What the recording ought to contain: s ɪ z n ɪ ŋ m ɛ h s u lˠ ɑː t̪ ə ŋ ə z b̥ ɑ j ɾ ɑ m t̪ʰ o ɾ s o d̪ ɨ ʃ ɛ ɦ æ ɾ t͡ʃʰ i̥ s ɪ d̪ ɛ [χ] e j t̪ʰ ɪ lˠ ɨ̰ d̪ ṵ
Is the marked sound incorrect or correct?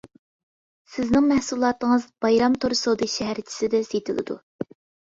incorrect